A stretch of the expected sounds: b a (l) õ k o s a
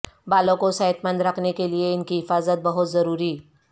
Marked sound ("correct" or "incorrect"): correct